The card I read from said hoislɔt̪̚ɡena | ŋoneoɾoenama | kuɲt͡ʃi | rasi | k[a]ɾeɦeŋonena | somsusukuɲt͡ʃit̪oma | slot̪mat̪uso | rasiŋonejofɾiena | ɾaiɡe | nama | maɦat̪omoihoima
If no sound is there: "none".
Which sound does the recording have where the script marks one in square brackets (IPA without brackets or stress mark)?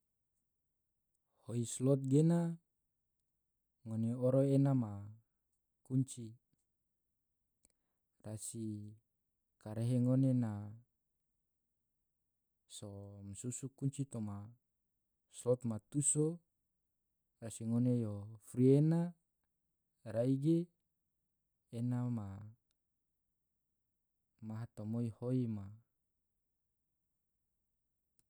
a